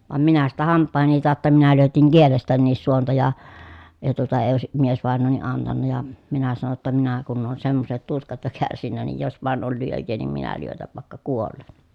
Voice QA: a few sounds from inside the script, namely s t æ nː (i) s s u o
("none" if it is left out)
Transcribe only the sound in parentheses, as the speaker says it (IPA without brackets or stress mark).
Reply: iː